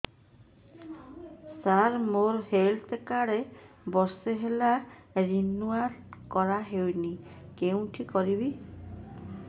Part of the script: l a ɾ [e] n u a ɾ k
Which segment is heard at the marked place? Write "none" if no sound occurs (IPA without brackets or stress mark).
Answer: i